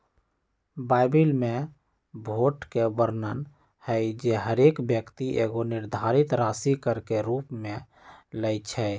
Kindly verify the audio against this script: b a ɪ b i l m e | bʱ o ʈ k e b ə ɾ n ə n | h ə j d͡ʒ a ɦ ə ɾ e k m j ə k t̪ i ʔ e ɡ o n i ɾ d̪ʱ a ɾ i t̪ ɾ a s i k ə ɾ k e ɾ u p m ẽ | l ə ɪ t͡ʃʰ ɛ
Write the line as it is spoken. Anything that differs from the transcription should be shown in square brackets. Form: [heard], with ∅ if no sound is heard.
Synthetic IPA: b a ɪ b i l m e | bʱ o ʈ k e b ə ɾ n ə n | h ə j d͡ʒ [e] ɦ ə ɾ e k [b] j ə k t̪ i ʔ e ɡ o n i ɾ d̪ʱ a ɾ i t̪ ɾ a s i k ə ɾ k e ɾ u p m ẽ | l ə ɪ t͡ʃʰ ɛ